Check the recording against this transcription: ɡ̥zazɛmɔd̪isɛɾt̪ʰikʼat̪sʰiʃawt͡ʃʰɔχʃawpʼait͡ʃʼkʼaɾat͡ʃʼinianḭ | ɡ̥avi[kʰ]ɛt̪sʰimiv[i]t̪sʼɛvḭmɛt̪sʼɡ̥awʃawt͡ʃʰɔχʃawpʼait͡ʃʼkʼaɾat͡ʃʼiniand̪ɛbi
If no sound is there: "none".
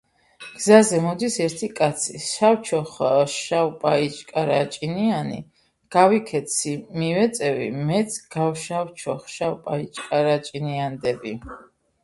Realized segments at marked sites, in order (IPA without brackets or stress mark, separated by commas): kʰ, ɛ